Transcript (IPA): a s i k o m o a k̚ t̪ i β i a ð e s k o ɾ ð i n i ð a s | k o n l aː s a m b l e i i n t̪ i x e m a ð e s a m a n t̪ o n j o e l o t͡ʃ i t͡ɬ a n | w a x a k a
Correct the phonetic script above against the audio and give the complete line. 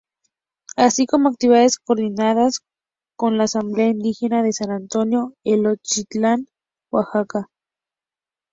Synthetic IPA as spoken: a s i k o m o a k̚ t̪ i β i a ð e s k o ɾ ð i n a ð a s | k o n l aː s a m b l e a i n d̪ i x e n a ð e s a n a n t̪ o n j o e l o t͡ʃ i t͡ɬ a n | w a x a k a